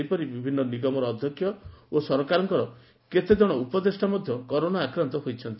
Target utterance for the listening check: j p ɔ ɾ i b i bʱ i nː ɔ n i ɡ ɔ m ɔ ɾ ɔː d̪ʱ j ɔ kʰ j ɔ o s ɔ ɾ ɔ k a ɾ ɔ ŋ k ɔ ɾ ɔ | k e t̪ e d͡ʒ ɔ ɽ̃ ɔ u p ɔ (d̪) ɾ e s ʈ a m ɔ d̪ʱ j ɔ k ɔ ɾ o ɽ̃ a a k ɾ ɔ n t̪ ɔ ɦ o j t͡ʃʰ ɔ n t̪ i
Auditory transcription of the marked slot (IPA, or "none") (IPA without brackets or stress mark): d̪